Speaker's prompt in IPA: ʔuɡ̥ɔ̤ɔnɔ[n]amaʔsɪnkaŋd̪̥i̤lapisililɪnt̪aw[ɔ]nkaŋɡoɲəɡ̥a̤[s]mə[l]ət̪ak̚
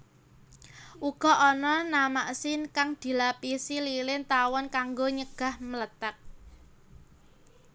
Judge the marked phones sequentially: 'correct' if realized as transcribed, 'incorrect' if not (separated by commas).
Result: correct, correct, incorrect, correct